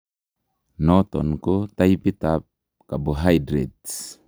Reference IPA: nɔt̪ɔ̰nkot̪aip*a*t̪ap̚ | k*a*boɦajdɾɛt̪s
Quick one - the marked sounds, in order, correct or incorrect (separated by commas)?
incorrect, correct